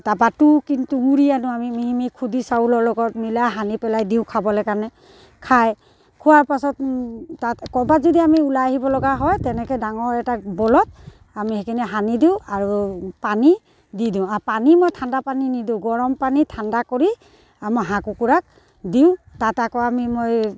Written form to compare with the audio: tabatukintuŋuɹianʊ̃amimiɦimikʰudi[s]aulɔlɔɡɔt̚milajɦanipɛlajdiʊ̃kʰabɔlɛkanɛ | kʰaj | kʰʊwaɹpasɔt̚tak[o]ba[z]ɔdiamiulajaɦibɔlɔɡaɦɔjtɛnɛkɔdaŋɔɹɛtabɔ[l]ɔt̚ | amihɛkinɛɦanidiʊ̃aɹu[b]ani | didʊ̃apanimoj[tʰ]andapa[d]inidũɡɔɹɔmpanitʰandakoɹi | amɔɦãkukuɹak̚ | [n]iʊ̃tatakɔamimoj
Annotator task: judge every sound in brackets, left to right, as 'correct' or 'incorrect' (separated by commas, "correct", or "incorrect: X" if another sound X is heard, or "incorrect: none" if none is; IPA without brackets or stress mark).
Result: correct, incorrect: ɔ, correct, correct, incorrect: p, correct, incorrect: n, incorrect: d